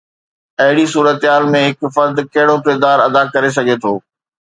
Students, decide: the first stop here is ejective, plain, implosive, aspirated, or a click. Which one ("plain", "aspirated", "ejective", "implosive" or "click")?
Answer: plain